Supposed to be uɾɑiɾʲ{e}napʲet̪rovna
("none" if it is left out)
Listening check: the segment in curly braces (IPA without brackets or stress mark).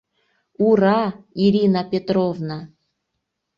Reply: i